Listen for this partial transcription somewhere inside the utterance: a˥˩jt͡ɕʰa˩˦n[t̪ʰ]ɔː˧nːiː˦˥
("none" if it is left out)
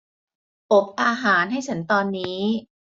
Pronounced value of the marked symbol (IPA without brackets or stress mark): t̪